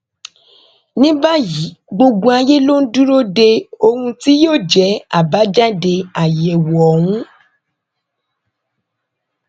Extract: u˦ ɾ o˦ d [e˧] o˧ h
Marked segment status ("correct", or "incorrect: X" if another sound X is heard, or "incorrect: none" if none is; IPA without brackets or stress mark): correct